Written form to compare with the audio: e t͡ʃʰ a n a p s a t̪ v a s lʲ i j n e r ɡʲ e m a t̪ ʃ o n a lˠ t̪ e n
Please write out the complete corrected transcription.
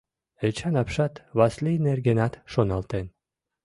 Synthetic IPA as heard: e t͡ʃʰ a n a p ʃ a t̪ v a s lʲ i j n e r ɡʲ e n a t̪ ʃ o n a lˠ t̪ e n